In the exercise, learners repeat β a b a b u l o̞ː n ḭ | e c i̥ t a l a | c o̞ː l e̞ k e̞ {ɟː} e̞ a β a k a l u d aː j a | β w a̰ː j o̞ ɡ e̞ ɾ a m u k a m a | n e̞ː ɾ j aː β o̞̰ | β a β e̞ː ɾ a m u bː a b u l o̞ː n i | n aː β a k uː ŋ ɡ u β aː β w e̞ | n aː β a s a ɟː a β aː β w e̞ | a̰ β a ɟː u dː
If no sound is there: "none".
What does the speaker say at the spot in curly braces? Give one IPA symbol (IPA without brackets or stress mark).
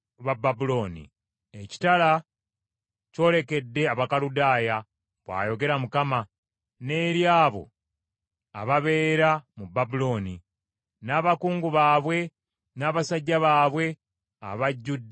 dː